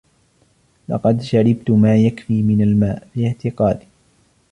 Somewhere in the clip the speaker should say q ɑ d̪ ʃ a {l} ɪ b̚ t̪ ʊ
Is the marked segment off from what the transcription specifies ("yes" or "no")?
yes